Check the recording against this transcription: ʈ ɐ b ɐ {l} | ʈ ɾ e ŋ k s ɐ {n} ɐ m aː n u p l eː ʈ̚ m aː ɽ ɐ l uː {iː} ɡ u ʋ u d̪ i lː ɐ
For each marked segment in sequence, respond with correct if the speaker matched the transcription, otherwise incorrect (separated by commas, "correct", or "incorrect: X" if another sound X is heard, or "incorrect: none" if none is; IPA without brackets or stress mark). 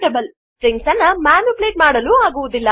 correct, incorrect: nː, incorrect: aː